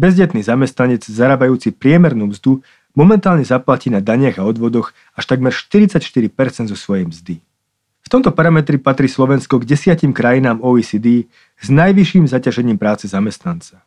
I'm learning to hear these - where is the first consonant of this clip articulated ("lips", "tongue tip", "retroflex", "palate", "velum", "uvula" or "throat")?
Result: lips